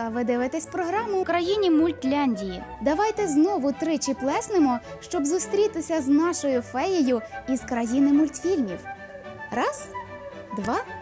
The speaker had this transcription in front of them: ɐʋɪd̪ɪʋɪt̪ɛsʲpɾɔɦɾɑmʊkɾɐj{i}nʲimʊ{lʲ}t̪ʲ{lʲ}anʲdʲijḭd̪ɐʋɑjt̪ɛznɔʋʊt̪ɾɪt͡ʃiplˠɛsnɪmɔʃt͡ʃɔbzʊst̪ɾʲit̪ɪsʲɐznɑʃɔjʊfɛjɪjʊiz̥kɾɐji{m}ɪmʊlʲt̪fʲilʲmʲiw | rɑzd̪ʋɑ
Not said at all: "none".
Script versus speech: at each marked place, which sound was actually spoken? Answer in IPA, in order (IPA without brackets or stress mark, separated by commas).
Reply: i, lʲ, lʲ, n